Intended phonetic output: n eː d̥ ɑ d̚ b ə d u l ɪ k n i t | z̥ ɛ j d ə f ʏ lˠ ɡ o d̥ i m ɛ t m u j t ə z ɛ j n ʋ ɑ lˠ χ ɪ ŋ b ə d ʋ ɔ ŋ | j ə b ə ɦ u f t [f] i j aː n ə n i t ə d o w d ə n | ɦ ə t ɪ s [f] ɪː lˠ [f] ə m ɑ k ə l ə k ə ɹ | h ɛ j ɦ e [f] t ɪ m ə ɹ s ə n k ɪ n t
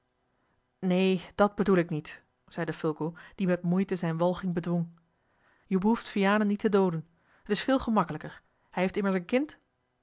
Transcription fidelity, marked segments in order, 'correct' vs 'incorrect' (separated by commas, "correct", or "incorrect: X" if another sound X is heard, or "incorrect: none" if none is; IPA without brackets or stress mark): correct, correct, incorrect: χ, correct